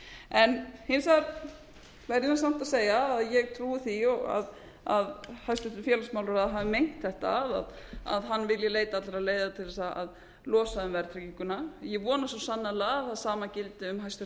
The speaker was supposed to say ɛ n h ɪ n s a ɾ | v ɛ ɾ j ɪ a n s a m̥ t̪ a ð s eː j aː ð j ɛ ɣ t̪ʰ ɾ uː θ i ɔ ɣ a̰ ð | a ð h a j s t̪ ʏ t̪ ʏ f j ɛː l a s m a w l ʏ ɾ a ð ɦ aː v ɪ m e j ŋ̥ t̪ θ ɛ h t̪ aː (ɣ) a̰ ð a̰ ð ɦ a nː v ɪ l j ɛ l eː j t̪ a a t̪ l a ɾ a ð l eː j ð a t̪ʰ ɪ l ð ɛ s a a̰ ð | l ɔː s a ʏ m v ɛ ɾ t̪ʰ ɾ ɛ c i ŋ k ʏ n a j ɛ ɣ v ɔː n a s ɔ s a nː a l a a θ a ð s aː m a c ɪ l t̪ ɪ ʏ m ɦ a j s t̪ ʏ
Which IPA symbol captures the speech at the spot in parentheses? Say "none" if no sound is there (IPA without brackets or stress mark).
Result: ð